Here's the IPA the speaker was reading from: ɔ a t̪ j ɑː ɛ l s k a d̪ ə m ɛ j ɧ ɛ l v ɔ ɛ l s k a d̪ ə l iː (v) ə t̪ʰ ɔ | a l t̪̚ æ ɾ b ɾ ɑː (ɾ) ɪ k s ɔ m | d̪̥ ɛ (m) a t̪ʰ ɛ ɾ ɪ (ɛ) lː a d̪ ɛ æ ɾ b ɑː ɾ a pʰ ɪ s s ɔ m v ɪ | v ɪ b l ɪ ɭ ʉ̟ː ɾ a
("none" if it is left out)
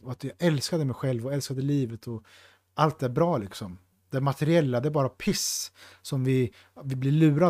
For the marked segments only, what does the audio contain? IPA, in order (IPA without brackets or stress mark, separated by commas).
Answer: v, l, m, ɛ